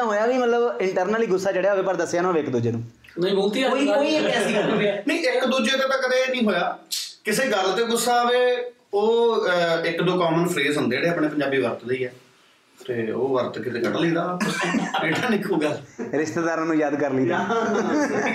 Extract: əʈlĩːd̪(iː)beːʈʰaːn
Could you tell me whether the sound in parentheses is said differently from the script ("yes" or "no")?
yes